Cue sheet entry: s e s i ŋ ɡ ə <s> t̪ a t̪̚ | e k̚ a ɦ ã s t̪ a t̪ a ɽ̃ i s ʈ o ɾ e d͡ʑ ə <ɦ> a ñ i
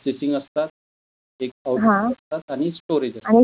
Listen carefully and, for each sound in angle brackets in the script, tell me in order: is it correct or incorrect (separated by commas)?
correct, incorrect